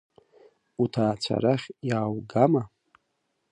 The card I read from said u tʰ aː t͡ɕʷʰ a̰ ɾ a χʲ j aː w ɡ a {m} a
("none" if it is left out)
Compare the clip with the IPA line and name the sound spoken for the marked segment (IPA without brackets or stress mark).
m